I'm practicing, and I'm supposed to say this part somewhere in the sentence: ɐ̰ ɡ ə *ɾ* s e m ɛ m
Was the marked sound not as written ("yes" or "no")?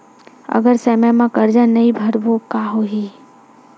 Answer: no